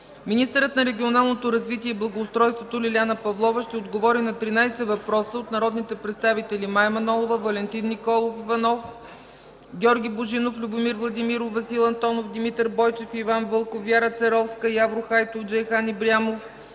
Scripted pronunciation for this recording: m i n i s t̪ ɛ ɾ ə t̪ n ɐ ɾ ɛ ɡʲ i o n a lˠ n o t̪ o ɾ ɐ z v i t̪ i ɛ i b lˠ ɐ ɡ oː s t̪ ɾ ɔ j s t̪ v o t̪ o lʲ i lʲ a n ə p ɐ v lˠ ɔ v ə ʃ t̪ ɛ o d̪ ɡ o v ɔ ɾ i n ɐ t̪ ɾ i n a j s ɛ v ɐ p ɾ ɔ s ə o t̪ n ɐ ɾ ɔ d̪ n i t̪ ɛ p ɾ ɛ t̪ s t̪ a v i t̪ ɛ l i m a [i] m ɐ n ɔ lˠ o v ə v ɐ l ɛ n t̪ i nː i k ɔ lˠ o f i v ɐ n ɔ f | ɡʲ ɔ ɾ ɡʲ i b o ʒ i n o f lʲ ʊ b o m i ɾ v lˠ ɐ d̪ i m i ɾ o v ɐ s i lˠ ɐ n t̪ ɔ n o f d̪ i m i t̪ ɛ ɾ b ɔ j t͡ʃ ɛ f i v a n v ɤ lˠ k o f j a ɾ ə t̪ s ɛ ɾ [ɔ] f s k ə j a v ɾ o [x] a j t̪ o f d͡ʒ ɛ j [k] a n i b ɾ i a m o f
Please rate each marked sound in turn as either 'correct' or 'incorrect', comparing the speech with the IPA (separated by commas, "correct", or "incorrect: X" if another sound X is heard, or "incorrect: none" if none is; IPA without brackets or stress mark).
incorrect: j, correct, correct, incorrect: x